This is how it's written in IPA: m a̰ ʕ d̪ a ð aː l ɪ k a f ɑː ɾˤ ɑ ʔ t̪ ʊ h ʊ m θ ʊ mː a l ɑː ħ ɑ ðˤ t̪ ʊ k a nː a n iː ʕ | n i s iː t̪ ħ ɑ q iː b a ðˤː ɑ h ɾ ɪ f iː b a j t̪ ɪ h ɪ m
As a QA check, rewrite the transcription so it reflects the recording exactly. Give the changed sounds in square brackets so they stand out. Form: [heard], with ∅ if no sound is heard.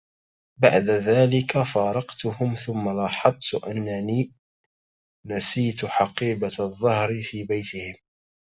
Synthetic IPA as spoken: [b] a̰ ʕ d̪ a ð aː l ɪ k a f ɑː ɾˤ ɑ [q] t̪ ʊ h ʊ m θ ʊ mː a l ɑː ħ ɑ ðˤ t̪ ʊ [ʔ] a nː a n iː [∅] | n [a] s iː t̪ ħ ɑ q iː b a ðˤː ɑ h ɾ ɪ f iː b a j t̪ ɪ h ɪ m